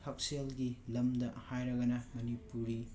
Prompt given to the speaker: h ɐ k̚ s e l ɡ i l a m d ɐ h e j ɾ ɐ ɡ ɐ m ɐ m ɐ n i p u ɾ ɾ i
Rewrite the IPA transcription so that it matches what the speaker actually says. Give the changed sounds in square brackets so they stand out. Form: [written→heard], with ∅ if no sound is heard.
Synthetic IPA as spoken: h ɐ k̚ s e l ɡ i l [a→ɐ] m d ɐ h [e→a] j ɾ ɐ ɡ ɐ [m→n] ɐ m ɐ n i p u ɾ ɾ i